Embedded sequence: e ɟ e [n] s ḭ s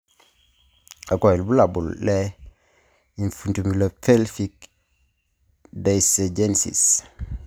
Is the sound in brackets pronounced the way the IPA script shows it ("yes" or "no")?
yes